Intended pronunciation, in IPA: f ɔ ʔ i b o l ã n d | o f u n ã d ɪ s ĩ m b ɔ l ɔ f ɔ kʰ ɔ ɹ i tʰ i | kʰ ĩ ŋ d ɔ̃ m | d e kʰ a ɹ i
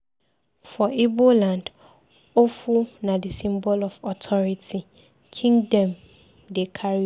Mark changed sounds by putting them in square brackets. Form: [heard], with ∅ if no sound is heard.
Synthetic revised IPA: f ɔ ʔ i b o l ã n d | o f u n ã d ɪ s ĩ m b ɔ l ɔ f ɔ [tʰ] ɔ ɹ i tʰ i | kʰ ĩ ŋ d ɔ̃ m | d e kʰ a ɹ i